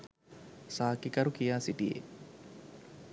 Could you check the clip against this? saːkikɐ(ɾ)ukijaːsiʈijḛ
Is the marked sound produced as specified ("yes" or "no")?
yes